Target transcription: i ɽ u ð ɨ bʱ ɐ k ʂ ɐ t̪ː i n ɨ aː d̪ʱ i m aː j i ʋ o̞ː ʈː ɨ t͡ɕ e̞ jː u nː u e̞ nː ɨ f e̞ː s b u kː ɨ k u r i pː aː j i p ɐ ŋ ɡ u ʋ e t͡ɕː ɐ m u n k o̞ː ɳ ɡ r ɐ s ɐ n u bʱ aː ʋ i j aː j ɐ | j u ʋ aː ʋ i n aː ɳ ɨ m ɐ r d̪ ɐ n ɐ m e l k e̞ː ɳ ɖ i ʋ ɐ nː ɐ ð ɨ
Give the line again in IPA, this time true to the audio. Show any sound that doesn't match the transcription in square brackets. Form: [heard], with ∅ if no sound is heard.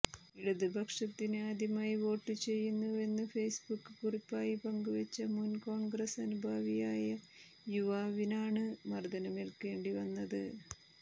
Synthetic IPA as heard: i ɽ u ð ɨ bʱ ɐ k ʂ ɐ t̪ː i n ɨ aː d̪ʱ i m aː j i ʋ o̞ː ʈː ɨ t͡ɕ e̞ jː u nː u e̞ nː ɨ f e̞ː s b u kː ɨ k u r i pː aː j i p ɐ ŋ ɡ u ʋ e t͡ɕː ɐ m u n k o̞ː ɳ ɡ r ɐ s ɐ n u bʱ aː ʋ i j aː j ɐ | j u ʋ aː ʋ i n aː ɳ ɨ m ɐ r d̪ ɐ n ɐ m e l k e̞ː ɳ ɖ i ʋ ɐ nː ɐ ð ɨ